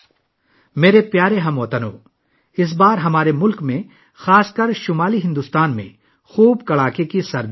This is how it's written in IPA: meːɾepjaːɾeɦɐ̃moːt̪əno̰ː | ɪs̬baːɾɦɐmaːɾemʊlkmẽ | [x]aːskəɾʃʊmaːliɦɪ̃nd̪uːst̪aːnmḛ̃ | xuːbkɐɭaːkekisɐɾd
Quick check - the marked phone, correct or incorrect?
correct